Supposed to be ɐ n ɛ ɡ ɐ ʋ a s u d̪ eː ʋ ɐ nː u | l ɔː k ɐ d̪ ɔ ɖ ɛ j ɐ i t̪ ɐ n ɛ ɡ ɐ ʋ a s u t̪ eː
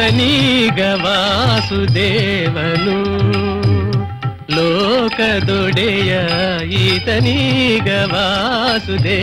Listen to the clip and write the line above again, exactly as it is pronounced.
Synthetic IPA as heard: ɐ n i ɡ ɐ ʋ a s u d̪ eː ʋ ɐ n u | l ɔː k ɐ d̪ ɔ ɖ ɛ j ɐ i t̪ ɐ n i ɡ ɐ ʋ a s u d̪ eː